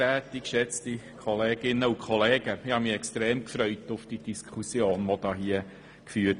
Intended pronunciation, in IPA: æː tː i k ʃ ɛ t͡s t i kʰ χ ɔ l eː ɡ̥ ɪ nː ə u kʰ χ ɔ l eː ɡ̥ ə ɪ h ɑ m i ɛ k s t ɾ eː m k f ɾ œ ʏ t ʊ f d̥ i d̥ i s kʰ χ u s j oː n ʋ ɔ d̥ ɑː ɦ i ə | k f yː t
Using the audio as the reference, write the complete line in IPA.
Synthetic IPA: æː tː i k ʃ ɛ t͡s t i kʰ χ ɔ l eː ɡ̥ ɪ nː ə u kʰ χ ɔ l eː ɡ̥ ə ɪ h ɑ m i ɛ k s t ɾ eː m k f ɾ œ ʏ t ʊ f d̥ i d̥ i s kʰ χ u s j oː n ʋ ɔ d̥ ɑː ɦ i ə | k f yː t